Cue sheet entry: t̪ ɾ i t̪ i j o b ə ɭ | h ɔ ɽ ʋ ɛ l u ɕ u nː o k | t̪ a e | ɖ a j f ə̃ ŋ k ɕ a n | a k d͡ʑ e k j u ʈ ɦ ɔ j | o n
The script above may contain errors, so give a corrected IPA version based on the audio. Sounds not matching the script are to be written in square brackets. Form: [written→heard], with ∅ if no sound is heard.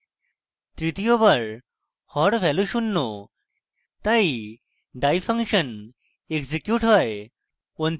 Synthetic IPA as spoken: t̪ ɾ i t̪ i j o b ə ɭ | h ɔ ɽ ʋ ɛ l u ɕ u nː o [k→∅] | t̪ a [e→i] | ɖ a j f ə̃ ŋ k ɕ [a→ə] n | [a→e] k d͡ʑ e k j u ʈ ɦ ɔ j | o n